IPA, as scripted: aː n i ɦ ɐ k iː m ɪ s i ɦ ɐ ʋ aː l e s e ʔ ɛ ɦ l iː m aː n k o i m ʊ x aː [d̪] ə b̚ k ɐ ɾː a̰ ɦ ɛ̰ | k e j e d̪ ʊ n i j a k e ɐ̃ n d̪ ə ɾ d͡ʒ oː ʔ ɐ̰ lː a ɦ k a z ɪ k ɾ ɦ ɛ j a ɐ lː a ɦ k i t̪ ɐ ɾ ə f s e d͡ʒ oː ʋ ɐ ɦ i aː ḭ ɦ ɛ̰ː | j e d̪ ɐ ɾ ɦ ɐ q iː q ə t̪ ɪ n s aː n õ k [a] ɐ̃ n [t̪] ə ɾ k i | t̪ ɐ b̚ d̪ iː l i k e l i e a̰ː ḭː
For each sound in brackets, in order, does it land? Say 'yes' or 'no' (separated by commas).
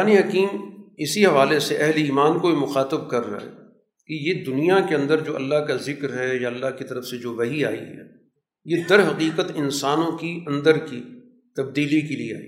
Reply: no, no, no